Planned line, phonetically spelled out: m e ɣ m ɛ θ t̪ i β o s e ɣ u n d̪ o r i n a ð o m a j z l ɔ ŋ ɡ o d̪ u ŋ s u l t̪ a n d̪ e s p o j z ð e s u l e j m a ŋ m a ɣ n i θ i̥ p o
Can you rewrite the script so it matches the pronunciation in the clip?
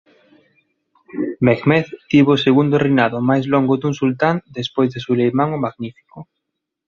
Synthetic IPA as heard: m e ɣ m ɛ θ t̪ i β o s e ɣ u n d̪ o r i n a ð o m a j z l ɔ ŋ ɡ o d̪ u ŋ s u l t̪ a n d̪ e s p o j z ð e s u l e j m a ŋ m a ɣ n i f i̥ k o